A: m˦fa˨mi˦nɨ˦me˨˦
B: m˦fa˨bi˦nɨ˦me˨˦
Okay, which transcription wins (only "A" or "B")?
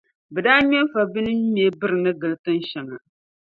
B